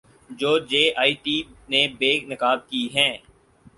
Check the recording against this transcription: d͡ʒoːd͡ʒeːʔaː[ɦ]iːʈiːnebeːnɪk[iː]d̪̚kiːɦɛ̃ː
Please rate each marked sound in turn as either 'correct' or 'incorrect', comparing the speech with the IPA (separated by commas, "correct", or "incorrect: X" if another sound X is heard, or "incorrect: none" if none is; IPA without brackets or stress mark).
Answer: incorrect: none, incorrect: aː